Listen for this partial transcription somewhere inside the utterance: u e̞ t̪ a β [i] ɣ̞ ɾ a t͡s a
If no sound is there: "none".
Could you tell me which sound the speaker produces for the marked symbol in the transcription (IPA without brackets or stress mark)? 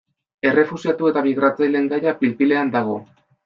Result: i